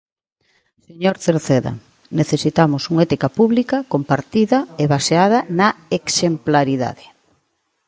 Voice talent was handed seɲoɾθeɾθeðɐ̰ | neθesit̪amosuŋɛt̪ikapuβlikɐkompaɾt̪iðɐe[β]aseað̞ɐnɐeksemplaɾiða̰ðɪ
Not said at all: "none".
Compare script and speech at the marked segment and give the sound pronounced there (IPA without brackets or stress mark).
β